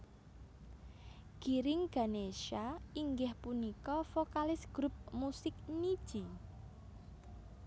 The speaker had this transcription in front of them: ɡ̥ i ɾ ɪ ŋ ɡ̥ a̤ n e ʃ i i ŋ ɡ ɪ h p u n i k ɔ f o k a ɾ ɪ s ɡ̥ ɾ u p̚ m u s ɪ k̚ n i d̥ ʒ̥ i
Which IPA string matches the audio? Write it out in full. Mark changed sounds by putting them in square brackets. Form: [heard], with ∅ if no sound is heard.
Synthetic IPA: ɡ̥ i ɾ ɪ ŋ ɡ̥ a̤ n e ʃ [a] i ŋ ɡ ɪ h p u n i k ɔ f o k a [l] ɪ s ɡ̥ ɾ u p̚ m u s ɪ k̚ n i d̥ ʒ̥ i

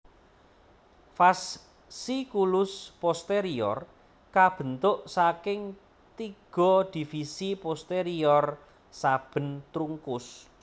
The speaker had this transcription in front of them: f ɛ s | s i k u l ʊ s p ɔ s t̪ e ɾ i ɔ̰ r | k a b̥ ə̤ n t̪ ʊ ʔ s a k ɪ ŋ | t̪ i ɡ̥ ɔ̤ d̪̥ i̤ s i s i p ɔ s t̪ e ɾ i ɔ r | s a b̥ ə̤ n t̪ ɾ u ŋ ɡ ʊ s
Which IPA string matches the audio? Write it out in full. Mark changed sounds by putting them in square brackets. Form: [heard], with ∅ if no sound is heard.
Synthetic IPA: f [a] s | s i k u l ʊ s p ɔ s t̪ e ɾ i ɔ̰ r | k a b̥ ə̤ n t̪ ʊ ʔ s a k ɪ ŋ | t̪ i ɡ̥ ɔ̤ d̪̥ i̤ [f] i s i p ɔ s t̪ e ɾ i ɔ r | s a b̥ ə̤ n t̪ ɾ u ŋ [k] ʊ s

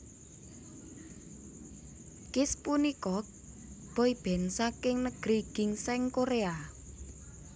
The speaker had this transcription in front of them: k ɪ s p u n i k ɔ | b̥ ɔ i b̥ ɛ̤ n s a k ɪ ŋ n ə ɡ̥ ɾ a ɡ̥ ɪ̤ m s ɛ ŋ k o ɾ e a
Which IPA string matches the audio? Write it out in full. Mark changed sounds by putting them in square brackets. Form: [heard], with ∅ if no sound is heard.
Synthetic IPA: k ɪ s p u n i k ɔ | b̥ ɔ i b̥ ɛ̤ n s a k ɪ ŋ n ə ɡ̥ ɾ [i] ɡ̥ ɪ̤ [ŋ] s ɛ ŋ k o ɾ e a

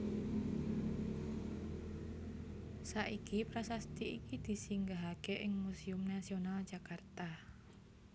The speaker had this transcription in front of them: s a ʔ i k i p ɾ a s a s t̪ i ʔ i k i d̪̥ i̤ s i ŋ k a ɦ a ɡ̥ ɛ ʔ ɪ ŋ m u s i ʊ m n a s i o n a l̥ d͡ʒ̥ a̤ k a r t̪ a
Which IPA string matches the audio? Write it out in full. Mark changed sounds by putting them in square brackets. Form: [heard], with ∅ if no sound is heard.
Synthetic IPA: s a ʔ i k i p ɾ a s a s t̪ i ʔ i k i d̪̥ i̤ s i ŋ [ɡ] a ɦ a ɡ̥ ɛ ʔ ɪ ŋ m u s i ʊ m n a s i o n a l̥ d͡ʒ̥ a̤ k a r t̪ a

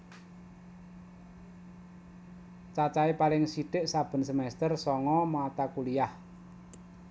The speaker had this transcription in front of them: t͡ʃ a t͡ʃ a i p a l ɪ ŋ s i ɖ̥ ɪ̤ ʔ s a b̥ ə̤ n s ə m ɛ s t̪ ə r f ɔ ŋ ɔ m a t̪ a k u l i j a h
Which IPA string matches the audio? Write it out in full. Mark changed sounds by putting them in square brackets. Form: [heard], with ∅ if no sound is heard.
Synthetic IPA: t͡ʃ a t͡ʃ a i p a l ɪ ŋ s i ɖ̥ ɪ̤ ʔ s a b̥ ə̤ n s ə m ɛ s t̪ ə r [s] ɔ ŋ ɔ m a t̪ a k u l i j a h

